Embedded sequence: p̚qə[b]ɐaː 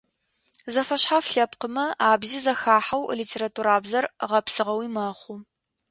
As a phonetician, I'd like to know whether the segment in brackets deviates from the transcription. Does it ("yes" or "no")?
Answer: yes